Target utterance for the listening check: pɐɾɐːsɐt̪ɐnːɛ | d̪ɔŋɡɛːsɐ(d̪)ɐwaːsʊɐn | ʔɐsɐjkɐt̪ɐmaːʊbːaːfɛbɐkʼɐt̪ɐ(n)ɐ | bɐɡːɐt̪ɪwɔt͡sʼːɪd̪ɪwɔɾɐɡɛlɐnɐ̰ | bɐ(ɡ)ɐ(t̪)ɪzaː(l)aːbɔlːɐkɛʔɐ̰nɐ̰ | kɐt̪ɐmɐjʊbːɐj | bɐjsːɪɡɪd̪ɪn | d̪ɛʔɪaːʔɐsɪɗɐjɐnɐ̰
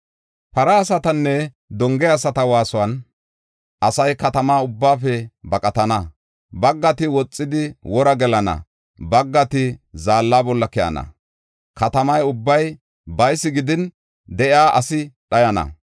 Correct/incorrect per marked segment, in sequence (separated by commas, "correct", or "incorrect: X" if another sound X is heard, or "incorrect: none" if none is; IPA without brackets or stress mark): incorrect: t̪, correct, incorrect: ɡː, correct, incorrect: lː